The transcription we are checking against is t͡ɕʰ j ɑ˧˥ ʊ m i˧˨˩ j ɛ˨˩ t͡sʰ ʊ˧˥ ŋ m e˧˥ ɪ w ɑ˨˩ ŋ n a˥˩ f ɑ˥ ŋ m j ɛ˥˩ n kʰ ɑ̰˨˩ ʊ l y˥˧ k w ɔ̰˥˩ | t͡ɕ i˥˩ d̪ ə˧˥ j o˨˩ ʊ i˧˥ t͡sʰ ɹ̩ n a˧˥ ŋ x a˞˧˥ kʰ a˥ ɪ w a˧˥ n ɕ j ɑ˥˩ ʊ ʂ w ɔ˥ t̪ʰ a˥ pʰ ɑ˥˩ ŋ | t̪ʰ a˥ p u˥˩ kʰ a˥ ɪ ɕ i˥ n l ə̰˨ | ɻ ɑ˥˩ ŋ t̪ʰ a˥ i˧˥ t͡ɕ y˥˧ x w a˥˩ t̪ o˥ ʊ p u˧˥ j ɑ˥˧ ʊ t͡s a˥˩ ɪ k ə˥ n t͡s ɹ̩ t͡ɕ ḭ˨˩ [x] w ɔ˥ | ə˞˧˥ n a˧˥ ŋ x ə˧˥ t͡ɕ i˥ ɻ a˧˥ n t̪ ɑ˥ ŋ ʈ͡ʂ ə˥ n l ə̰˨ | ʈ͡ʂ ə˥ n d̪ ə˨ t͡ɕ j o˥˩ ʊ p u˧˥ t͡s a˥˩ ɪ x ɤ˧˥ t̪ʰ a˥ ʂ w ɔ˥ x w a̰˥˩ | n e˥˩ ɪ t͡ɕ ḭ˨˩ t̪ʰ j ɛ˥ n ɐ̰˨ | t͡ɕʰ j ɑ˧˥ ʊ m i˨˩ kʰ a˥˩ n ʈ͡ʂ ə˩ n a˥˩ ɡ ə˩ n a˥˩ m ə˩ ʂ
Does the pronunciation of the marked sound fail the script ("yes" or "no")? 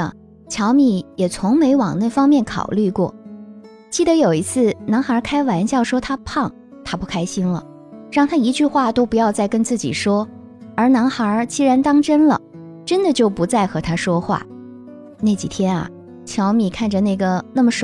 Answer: yes